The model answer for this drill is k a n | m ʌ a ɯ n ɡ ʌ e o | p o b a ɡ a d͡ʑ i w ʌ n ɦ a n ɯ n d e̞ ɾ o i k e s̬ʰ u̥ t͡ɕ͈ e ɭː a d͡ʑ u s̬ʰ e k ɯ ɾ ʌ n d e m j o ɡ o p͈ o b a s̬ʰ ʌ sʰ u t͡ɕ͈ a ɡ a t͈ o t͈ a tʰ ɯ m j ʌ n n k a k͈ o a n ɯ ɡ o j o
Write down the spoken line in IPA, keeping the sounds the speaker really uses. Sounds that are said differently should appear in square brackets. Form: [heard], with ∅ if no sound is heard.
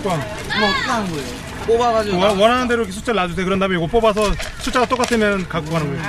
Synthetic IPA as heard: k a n | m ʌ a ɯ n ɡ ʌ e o | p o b a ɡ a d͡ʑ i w ʌ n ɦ a n ɯ n d e̞ ɾ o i k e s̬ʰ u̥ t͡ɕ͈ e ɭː a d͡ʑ u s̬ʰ e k ɯ ɾ ʌ n d [a] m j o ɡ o p͈ o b a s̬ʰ ʌ sʰ u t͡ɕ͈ a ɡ a t͈ o [k͈] a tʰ ɯ m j ʌ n n k a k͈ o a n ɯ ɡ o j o